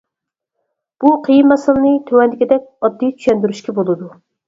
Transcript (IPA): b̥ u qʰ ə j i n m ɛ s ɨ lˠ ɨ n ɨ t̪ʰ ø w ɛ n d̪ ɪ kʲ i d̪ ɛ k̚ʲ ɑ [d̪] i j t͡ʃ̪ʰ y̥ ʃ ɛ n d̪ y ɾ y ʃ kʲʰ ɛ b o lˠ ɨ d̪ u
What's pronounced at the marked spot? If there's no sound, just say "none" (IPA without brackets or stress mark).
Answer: d̪ː